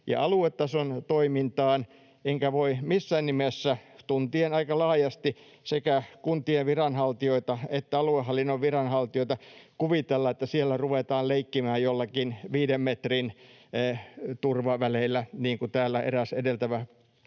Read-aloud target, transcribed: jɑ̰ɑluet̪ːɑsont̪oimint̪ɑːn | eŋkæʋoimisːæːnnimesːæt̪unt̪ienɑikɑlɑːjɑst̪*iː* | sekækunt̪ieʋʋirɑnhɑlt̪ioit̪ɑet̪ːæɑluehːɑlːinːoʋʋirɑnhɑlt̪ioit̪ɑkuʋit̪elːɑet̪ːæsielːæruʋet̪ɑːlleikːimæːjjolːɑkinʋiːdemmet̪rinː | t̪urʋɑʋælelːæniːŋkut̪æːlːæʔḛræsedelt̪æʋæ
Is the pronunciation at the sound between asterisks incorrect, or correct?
incorrect